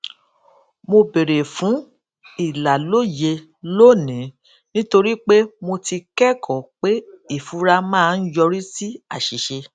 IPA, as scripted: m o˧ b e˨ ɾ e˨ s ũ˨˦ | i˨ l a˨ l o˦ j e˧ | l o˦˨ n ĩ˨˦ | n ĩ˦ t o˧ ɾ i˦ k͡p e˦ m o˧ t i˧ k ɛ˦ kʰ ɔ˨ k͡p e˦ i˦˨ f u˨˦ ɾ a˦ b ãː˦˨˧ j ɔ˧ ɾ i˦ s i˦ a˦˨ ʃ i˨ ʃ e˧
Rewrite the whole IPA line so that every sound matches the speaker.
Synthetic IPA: m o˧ b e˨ ɾ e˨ f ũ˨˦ | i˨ l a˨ l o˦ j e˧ | l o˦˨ n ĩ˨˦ | n ĩ˦ t o˧ ɾ i˦ k͡p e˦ m o˧ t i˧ k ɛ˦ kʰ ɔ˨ k͡p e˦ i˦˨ f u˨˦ ɾ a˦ m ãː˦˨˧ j ɔ˧ ɾ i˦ s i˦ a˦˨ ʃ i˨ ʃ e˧